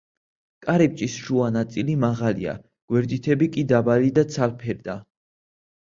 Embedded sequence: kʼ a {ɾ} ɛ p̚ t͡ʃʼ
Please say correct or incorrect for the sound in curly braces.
correct